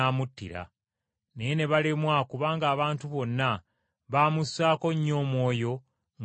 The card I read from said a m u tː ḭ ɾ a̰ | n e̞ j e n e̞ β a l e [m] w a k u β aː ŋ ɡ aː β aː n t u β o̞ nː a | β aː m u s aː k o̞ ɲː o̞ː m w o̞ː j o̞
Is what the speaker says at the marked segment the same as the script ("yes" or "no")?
yes